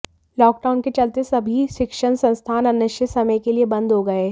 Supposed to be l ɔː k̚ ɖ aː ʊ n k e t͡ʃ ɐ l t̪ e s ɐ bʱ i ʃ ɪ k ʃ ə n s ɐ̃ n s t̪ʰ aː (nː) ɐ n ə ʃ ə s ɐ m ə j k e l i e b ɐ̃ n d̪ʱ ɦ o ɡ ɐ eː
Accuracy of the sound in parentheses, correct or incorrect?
incorrect